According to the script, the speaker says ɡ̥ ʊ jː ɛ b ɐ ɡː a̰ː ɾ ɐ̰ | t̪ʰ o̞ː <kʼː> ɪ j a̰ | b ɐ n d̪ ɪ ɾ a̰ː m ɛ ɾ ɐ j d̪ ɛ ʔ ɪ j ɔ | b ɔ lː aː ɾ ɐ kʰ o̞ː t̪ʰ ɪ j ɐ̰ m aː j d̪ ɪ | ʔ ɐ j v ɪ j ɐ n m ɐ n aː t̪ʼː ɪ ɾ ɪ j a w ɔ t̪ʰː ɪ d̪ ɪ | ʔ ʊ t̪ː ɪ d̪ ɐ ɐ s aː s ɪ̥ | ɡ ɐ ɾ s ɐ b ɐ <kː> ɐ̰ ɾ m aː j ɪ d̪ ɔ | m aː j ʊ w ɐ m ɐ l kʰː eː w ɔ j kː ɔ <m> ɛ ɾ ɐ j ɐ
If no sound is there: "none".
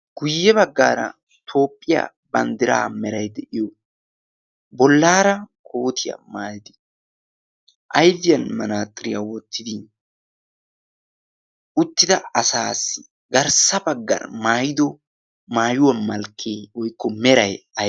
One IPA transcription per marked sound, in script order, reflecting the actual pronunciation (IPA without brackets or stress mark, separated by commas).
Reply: pʼː, ɡː, m